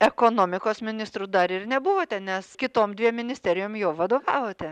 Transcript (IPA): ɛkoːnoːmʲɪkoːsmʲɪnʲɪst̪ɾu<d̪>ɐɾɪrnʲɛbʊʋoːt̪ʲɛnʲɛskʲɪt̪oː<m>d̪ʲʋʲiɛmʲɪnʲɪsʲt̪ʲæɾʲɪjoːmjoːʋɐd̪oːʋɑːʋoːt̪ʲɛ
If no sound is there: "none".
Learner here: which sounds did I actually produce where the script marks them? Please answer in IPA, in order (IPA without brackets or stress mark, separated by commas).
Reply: d̪, m